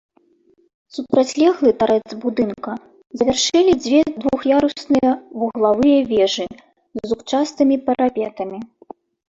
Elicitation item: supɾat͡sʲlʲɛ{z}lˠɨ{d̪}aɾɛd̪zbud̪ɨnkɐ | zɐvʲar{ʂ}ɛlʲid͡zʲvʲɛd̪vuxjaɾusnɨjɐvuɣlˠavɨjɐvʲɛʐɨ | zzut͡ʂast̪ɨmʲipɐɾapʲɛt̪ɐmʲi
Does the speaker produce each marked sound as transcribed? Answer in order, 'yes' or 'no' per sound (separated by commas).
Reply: no, no, yes